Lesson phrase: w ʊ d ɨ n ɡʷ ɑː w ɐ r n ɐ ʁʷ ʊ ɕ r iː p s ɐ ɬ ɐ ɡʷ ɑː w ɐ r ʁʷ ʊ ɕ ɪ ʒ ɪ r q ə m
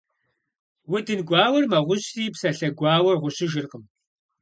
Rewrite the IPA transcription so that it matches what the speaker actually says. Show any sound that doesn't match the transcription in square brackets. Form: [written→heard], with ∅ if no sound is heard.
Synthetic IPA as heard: w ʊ d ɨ n ɡʷ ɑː w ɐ r [n→m] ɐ ʁʷ ʊ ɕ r iː p s ɐ ɬ ɐ ɡʷ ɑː w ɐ r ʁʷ ʊ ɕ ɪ ʒ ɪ r q ə m